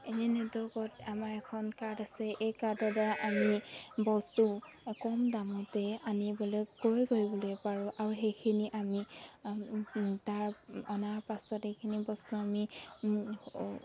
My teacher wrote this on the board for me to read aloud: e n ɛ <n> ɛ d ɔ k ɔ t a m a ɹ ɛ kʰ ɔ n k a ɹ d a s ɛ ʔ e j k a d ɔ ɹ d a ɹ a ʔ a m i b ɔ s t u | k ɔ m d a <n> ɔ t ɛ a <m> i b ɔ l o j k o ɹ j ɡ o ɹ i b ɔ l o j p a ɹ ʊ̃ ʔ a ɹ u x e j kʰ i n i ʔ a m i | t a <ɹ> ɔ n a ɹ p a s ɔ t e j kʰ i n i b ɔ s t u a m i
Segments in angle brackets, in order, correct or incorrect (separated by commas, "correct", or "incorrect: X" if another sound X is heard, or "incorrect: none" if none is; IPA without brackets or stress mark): correct, incorrect: m, incorrect: n, correct